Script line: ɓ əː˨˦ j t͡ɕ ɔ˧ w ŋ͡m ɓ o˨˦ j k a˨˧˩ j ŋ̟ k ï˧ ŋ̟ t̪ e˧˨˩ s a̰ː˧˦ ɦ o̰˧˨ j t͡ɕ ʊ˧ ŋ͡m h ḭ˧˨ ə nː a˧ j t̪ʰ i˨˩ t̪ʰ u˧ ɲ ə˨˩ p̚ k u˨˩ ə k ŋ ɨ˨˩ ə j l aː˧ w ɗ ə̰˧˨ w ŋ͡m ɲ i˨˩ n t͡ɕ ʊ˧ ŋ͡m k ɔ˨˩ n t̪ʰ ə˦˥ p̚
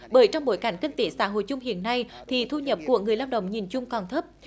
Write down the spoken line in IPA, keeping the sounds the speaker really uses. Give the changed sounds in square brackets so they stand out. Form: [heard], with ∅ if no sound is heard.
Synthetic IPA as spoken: ɓ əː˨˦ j t͡ɕ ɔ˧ w ŋ͡m ɓ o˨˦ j k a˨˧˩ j ŋ̟ k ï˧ ŋ̟ t̪ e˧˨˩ s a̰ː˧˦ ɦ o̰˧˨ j t͡ɕ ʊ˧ ŋ͡m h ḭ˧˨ ə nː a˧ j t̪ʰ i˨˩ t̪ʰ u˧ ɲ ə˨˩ p̚ k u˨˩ ə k ŋ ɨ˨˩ ə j l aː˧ w ɗ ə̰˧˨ w ŋ͡m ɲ i˨˩ n t͡ɕ ʊ˧ ŋ͡m k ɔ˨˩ n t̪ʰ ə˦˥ p̚